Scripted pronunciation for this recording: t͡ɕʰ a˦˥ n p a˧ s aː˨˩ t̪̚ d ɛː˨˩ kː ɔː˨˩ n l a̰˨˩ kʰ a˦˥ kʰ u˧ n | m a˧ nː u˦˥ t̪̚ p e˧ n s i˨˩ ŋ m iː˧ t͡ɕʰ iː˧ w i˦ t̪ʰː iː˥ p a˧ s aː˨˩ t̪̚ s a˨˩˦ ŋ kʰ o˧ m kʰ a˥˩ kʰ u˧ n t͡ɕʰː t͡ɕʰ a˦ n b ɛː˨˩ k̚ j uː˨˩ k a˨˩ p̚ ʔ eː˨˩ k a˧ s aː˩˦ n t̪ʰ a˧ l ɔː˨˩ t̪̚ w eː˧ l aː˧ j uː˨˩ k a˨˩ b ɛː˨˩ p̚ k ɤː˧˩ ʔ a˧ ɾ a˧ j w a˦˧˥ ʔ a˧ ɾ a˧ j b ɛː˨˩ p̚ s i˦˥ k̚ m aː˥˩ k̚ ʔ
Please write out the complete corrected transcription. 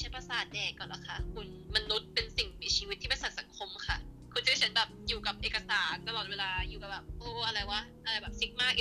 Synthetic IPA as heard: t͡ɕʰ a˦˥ n p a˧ s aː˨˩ t̪̚ d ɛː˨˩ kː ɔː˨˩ n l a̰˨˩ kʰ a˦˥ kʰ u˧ n | m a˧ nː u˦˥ t̪̚ p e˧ n s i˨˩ ŋ m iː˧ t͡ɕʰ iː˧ w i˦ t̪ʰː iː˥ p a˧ s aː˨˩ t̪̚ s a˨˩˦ ŋ kʰ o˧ m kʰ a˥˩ kʰ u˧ n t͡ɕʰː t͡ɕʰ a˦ n b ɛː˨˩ p̚ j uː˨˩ k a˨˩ p̚ ʔ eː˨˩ k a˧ s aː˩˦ n t̪ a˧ l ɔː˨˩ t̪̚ w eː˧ l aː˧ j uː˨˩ k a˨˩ b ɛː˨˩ p̚ ʔ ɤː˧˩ ʔ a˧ ɾ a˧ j w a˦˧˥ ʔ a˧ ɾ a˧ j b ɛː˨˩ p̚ s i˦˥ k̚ m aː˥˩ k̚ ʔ